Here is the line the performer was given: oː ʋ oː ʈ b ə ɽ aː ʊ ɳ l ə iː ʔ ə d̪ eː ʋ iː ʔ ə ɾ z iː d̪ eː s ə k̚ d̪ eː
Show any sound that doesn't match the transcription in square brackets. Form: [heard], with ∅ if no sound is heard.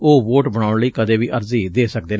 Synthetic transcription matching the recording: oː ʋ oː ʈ b ə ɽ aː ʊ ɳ l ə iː [k] ə d̪ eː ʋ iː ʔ ə ɾ z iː d̪ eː s ə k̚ d̪ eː